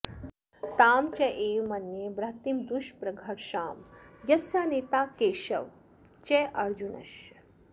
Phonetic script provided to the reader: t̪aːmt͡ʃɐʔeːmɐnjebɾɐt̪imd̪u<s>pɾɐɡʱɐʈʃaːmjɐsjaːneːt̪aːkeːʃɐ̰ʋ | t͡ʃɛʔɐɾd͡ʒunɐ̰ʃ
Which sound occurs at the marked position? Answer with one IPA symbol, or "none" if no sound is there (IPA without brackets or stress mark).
ʃ